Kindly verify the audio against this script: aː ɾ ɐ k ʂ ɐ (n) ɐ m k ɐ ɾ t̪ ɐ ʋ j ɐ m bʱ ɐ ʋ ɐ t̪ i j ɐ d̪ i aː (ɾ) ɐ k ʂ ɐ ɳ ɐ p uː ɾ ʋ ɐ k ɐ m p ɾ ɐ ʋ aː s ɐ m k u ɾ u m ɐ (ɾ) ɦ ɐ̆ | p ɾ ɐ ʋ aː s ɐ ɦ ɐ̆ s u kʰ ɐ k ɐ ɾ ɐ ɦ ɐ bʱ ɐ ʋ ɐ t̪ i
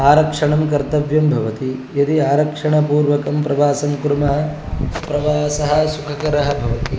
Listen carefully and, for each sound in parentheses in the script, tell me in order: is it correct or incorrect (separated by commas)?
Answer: incorrect, correct, incorrect